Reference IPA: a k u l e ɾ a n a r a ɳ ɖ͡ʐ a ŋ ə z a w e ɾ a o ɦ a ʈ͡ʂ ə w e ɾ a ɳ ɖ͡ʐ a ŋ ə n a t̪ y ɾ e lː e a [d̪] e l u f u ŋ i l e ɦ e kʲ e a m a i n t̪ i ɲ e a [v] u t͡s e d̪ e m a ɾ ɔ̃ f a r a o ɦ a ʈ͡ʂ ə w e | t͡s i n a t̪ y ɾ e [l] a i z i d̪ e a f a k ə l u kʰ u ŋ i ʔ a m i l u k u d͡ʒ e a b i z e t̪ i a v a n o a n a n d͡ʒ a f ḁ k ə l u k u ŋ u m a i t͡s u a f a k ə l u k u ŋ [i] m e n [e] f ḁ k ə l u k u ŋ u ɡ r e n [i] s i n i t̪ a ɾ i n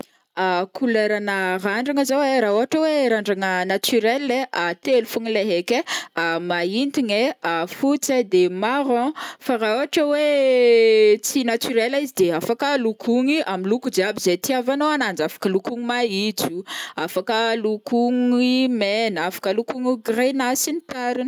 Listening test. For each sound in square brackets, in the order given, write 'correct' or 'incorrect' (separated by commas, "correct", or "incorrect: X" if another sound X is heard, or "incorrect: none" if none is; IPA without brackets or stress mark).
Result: incorrect: t̪, incorrect: f, correct, correct, incorrect: a, incorrect: a